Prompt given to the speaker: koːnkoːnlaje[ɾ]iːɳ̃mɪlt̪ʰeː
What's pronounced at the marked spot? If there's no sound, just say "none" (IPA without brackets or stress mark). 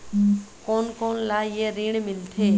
ɾ